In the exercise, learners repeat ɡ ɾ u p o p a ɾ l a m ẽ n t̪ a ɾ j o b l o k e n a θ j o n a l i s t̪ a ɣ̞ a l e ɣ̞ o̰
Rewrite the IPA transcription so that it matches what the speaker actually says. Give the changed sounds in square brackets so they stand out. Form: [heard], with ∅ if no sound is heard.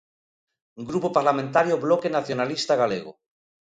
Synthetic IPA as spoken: ɡ ɾ u p o p a ɾ l a m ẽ n t̪ a ɾ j o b l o k e n a θ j o n a l i s t̪ a ɣ̞ a l e ɣ̞ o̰